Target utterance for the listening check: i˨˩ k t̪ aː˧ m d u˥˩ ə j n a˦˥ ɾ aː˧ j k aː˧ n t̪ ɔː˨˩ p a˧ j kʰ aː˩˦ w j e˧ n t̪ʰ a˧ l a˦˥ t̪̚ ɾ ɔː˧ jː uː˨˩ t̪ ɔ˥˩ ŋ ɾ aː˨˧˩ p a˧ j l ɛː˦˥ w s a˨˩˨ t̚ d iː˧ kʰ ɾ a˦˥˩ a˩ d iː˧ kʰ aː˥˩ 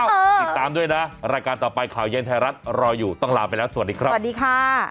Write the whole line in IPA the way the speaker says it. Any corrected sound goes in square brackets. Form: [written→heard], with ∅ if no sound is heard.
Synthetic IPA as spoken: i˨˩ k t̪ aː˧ m d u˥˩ ə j n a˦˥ ɾ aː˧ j k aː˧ n t̪ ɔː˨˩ p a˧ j kʰ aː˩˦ w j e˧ n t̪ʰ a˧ [l→ɾ] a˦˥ t̪̚ ɾ ɔː˧ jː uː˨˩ t̪ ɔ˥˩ ŋ [ɾ→l] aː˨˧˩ p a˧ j l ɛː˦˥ w s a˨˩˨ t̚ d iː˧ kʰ ɾ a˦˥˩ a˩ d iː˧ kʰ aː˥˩